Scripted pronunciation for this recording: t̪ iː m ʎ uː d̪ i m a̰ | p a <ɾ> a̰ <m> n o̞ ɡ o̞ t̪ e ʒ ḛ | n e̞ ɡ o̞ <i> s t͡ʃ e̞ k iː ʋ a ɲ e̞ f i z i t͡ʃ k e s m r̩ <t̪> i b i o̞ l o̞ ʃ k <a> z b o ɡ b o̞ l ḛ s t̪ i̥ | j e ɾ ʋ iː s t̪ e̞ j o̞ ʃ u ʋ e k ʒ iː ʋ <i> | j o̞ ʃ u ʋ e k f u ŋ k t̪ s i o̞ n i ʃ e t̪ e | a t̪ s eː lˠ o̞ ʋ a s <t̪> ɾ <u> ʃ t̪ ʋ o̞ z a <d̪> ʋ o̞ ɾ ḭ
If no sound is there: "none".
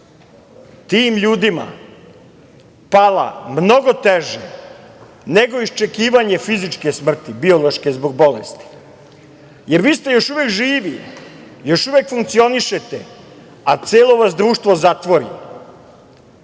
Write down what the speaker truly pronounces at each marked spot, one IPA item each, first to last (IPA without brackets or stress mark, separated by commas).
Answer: l, m, i, t̪, e, i, d̪, uː, t̪